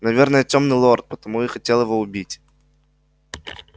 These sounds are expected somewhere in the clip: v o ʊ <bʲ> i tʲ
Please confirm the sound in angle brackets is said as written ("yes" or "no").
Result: yes